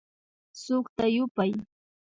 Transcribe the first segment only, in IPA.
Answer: s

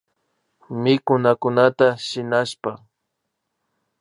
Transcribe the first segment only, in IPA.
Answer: m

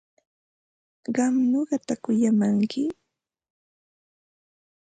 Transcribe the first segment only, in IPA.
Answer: ɢ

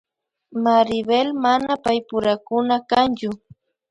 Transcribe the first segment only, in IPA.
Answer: m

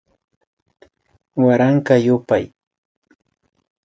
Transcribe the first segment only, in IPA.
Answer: w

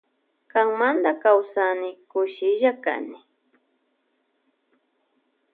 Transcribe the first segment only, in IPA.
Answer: k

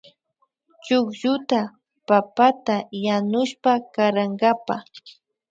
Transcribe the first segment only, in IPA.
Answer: t͡ʃ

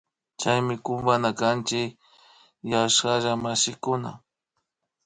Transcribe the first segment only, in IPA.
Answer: t͡ʃ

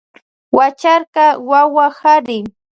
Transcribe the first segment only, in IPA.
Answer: w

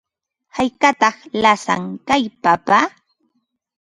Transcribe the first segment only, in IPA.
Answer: h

